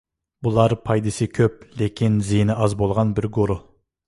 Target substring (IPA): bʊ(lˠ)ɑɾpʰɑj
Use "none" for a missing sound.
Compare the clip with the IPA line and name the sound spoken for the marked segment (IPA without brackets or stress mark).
lˠ